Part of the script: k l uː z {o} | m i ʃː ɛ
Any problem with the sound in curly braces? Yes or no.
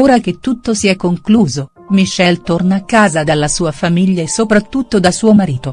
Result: no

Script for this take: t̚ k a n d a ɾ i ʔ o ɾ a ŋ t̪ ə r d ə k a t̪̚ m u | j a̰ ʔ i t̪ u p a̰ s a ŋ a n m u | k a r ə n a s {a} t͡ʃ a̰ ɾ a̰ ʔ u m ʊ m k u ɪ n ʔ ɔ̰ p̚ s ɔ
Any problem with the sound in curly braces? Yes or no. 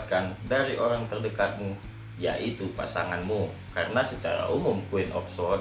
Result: yes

